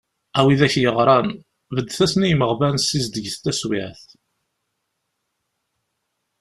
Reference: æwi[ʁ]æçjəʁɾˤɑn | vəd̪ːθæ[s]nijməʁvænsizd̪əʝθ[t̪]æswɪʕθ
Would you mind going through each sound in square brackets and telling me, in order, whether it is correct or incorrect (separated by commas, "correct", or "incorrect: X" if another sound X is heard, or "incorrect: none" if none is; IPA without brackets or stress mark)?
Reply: incorrect: ð, correct, correct